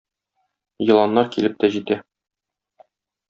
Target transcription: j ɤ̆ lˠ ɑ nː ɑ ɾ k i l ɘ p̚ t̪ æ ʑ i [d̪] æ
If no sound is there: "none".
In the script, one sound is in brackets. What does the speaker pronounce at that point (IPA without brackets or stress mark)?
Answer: t̪